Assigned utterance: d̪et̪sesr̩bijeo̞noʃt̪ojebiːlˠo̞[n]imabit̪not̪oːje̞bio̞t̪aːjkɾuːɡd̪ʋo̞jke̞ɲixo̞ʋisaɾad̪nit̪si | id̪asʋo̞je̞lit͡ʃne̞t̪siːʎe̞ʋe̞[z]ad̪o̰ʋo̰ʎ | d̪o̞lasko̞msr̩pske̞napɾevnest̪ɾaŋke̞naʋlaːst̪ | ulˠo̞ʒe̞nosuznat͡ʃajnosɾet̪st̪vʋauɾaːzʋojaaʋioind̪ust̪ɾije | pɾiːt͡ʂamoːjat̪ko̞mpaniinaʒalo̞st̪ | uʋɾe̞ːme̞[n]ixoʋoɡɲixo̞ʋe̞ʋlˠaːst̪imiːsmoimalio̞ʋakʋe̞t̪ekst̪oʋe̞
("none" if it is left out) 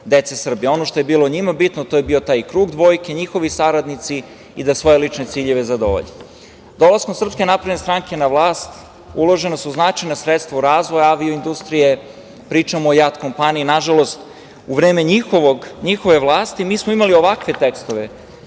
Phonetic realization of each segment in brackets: ɲ, z, ɲ

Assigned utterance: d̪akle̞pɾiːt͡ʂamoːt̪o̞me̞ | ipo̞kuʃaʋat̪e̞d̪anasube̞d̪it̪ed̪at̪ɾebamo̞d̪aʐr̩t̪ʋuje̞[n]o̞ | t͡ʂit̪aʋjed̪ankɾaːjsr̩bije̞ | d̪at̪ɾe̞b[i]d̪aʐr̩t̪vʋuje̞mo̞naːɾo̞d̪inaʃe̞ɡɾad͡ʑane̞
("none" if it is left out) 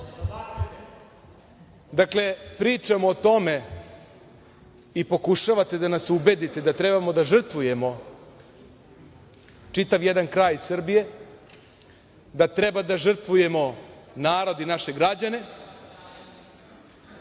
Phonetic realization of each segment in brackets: m, a

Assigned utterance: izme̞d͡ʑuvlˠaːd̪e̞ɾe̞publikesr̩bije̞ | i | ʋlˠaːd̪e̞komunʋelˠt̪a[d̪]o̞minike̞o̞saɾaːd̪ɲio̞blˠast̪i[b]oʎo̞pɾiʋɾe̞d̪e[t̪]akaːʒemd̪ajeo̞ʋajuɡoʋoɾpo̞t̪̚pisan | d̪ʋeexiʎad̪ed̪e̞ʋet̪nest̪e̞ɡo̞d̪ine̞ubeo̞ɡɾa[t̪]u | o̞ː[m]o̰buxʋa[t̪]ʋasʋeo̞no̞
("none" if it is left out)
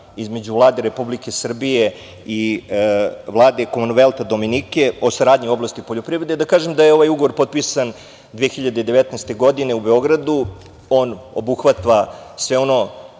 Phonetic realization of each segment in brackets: d̪, p, d̪, d̪, n, t̪

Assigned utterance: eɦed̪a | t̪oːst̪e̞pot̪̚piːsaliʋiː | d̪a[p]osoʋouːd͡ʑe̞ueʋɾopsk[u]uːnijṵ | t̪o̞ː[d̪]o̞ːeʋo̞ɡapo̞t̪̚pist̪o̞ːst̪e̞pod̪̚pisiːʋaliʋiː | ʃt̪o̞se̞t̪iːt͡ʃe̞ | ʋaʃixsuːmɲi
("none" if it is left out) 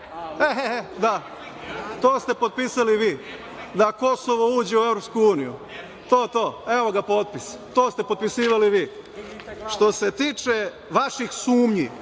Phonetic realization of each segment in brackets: k, u, t̪

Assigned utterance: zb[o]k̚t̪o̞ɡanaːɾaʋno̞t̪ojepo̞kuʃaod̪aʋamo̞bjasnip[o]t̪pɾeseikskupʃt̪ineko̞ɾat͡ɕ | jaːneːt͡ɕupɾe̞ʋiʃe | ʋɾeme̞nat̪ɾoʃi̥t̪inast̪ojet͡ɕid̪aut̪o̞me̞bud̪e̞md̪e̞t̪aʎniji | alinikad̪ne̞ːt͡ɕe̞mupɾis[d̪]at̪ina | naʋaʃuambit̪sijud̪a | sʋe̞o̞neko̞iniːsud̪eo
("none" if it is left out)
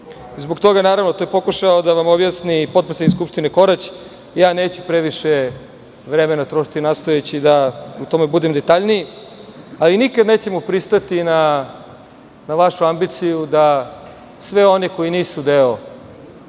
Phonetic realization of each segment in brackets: o, o, t̪

